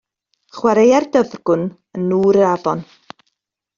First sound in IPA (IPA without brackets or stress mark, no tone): χ